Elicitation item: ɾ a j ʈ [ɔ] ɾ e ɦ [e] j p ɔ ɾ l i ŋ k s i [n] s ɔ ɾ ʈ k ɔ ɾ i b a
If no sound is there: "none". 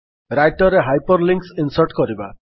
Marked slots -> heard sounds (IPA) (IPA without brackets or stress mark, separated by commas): ɔ, a, n